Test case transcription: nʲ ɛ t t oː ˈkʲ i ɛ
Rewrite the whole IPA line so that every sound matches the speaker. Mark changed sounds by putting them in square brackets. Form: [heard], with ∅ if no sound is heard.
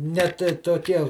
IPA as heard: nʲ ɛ t t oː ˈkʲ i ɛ

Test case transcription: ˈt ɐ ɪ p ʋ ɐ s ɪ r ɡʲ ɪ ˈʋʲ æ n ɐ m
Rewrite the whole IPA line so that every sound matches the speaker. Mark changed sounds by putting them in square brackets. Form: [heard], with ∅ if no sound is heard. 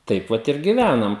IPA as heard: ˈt ɐ ɪ p ʋ ɐ [t] ɪ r ɡʲ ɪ ˈʋʲ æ n ɐ m

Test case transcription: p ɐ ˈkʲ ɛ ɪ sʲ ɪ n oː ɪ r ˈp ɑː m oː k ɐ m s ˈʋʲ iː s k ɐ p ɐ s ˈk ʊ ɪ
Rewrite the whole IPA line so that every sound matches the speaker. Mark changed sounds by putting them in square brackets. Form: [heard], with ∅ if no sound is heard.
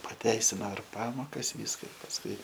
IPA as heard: p ɐ [ˈtʲ] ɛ ɪ sʲ ɪ n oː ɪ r ˈp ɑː m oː k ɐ [∅] s ˈʋʲ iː s k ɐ p ɐ s ˈk ʊ ɪ

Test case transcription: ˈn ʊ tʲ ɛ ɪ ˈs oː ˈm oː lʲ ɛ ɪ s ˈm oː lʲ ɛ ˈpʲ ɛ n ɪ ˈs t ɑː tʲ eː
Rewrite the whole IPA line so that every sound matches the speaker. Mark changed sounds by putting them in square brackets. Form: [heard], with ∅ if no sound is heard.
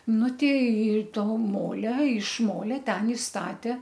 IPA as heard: ˈn ʊ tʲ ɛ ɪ [ˈt] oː ˈm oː lʲ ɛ ɪ [ʃ] ˈm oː lʲ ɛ [ˈtʲ] ɛ n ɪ ˈs t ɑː tʲ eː

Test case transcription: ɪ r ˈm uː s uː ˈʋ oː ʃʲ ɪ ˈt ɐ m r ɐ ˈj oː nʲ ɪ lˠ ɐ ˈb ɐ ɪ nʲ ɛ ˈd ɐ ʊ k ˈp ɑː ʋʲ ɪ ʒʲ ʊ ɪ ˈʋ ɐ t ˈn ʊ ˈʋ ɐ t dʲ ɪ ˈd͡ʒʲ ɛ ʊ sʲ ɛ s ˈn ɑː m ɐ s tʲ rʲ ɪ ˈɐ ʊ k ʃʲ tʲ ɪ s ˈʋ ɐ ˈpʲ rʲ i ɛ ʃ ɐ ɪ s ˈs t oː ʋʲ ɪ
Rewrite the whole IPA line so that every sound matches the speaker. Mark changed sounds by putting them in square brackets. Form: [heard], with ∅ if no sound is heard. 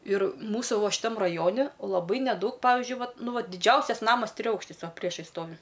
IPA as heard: ɪ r ˈm uː s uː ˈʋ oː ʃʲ ɪ ˈt ɐ m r ɐ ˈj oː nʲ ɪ lˠ ɐ ˈb ɐ ɪ nʲ ɛ ˈd ɐ ʊ k ˈp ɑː ʋʲ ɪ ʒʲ ʊ ɪ ˈʋ ɐ t ˈn ʊ ˈʋ ɐ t dʲ ɪ ˈd͡ʒʲ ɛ ʊ sʲ ɛ s ˈn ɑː m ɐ s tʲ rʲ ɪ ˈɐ ʊ k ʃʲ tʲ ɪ s ˈʋ ɐ ˈpʲ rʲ i ɛ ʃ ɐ ɪ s ˈs t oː ʋʲ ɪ

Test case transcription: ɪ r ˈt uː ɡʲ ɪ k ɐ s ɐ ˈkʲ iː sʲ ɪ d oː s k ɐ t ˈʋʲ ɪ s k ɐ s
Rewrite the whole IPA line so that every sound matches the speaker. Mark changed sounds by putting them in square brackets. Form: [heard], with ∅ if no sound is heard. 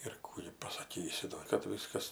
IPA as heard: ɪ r [ˈk] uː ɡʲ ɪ [p] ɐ s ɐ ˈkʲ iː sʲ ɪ d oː [∅] k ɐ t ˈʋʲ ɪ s k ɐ s

